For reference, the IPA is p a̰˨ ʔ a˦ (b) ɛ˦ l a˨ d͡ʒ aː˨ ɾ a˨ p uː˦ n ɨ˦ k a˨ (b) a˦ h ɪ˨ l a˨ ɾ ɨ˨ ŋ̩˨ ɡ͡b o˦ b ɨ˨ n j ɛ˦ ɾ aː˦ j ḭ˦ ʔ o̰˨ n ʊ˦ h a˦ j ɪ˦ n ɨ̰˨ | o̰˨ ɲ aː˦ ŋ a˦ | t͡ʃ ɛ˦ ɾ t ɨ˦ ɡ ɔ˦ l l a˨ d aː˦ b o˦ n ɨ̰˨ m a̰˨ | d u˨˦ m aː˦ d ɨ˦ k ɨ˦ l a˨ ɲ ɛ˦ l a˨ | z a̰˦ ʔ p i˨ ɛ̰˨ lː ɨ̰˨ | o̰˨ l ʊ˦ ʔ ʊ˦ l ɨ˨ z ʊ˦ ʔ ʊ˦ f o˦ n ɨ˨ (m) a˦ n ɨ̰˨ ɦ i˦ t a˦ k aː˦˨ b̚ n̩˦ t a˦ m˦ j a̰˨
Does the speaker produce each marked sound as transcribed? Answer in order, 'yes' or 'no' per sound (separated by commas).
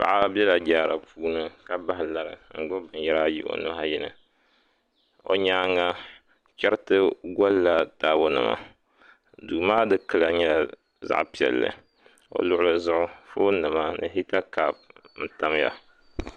yes, yes, yes